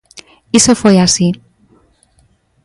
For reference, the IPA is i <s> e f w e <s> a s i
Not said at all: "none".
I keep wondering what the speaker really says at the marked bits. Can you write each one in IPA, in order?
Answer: s, none

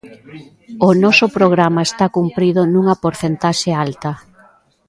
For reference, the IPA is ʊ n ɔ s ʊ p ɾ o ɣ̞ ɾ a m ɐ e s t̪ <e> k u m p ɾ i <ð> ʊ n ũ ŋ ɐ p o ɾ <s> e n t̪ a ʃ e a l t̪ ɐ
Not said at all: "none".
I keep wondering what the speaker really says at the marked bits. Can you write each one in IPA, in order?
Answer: a, ð, θ

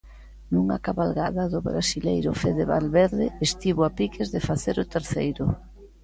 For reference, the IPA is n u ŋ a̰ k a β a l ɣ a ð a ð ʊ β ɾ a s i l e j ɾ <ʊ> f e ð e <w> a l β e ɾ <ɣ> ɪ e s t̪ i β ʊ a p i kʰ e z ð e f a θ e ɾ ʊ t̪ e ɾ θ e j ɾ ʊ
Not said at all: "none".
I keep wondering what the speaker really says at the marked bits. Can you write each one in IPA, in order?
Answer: ʊ, β, ð

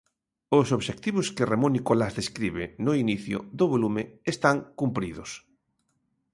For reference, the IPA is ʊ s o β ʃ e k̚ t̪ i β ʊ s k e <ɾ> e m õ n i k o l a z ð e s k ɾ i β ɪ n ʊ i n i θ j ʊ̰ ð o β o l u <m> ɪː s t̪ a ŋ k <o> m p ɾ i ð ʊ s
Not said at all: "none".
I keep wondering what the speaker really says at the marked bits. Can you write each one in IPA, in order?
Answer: r, m, u

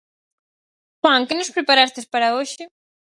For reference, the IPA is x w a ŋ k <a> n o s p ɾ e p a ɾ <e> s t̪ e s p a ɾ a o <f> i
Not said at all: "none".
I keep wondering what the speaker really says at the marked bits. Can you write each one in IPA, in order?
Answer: e, a, ʃ

